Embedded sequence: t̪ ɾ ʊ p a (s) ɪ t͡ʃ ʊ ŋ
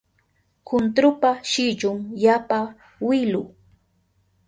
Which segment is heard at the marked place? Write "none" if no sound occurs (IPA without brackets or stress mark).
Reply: ʃ